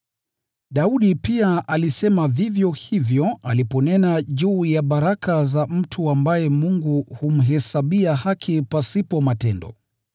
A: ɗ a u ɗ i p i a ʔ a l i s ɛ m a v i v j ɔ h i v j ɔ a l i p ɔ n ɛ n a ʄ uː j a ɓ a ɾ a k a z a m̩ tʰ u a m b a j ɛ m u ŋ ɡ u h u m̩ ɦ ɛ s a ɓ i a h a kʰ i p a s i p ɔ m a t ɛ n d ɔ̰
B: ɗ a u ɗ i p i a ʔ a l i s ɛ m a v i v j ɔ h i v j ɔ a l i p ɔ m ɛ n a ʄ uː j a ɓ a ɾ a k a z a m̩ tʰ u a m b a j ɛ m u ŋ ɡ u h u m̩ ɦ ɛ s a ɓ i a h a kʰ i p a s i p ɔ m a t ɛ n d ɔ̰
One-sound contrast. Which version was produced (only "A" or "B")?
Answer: A